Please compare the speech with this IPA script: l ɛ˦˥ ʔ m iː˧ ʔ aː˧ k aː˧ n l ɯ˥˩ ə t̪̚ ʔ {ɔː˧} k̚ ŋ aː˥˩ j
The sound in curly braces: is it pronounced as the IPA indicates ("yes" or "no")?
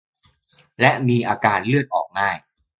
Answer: no